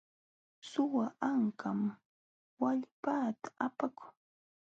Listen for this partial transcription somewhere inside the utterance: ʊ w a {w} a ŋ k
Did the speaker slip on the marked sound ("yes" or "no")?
yes